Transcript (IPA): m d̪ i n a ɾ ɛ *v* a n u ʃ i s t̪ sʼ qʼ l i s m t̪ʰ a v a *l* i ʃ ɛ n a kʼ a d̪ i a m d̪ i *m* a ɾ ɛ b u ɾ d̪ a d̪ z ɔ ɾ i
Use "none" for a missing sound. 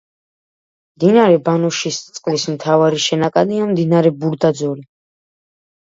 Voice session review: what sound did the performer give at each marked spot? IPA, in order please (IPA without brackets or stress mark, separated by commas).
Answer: b, ɾ, n